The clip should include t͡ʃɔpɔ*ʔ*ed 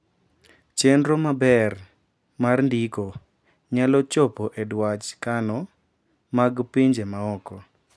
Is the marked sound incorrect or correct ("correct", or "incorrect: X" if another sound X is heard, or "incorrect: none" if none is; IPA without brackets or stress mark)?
correct